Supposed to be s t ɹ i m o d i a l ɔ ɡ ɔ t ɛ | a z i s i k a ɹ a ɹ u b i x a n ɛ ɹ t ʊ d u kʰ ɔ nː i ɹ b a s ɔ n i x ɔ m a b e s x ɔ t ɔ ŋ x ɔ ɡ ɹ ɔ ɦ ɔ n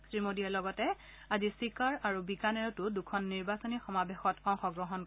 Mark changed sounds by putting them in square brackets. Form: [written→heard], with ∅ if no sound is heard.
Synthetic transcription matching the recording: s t ɹ i m o d i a l ɔ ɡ ɔ t ɛ | a z i s i k a ɹ a ɹ u b i [x→k] a n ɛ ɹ t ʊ d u kʰ ɔ nː i ɹ b a s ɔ n i x ɔ m a b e [s→∅] x ɔ t ɔ ŋ x ɔ ɡ ɹ ɔ ɦ ɔ n